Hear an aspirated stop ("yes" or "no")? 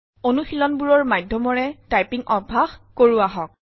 no